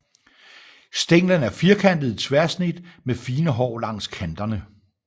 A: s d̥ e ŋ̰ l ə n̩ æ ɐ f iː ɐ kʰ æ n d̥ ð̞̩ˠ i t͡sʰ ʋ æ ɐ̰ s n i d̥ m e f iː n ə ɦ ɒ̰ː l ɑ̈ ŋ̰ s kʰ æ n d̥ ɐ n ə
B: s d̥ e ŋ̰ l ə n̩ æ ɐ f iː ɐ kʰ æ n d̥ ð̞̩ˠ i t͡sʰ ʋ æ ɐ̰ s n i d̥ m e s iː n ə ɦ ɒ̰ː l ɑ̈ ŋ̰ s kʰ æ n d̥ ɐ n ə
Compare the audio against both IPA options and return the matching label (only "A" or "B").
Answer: A